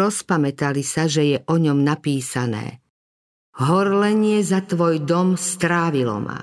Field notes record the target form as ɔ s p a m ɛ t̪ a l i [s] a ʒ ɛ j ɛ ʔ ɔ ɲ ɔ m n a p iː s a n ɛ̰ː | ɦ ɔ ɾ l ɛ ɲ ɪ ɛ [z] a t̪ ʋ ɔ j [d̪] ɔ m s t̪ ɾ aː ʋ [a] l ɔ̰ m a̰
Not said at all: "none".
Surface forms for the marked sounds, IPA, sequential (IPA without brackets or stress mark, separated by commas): s, z, d̪, i